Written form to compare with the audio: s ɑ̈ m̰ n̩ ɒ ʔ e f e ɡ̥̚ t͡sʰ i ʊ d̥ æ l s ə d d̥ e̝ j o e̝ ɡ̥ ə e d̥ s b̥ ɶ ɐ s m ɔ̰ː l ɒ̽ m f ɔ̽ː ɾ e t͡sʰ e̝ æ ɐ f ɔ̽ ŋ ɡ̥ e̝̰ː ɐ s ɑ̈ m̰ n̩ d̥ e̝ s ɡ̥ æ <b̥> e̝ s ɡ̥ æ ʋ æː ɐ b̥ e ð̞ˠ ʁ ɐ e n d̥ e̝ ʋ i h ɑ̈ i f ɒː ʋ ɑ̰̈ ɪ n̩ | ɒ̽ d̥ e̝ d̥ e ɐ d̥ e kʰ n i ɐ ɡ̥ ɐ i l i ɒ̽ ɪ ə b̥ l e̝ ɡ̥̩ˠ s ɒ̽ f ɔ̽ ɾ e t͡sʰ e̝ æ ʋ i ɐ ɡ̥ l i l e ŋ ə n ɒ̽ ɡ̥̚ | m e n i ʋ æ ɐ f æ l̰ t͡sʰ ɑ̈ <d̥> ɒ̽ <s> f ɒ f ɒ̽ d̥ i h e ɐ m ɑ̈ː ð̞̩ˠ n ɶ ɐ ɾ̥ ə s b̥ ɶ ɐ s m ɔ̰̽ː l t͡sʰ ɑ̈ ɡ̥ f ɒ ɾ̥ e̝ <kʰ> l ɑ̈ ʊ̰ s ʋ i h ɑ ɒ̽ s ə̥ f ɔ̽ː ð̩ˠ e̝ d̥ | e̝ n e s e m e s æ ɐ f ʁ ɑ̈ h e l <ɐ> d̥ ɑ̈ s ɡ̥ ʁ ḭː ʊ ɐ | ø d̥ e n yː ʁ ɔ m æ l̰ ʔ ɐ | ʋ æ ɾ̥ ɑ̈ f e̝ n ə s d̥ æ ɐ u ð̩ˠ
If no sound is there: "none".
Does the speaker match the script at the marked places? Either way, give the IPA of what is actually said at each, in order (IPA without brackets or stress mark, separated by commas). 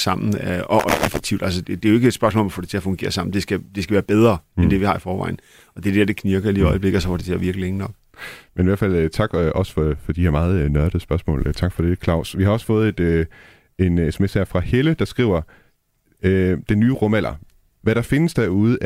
d̥, ɡ̥, s, kʰ, ə